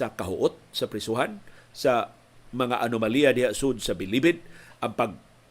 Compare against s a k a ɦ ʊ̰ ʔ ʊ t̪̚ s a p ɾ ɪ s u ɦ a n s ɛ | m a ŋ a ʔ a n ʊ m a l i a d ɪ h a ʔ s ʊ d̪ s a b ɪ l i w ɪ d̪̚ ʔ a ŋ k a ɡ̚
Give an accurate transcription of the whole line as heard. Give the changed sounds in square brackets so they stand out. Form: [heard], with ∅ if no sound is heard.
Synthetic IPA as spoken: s a k a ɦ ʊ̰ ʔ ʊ t̪̚ s a p ɾ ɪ s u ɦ a n s [a] | m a ŋ a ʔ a n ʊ m a l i a d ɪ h a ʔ s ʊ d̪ s a b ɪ l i [b] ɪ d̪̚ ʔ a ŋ [p] a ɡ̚